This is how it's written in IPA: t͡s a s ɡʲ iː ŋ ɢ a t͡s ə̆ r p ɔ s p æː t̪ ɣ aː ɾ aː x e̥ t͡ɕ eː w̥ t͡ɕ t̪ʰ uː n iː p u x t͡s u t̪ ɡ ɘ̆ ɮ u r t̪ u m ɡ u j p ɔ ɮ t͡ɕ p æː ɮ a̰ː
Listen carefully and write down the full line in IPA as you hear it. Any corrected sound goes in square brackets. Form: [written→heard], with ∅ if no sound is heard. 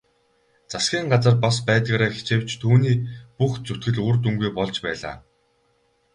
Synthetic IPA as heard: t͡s a s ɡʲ iː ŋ ɢ a t͡s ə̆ r p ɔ s p æː t̪ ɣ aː ɾ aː x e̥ t͡ɕ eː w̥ t͡ɕ t̪ʰ uː n iː p u x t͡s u t̪ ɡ ɘ̆ ɮ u r t̪ u [m→ŋ] ɡ u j p ɔ ɮ t͡ɕ p æː ɮ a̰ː